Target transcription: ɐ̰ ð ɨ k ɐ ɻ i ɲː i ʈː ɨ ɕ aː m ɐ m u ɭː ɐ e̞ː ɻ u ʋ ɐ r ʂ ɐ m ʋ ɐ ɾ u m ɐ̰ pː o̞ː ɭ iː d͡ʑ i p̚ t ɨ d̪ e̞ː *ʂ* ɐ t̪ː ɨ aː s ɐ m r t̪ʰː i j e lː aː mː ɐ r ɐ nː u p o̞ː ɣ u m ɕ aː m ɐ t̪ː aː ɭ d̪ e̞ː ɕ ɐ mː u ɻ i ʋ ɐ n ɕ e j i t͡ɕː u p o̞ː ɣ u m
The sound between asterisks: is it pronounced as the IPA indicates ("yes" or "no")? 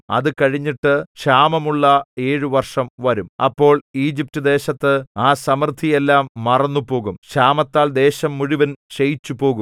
no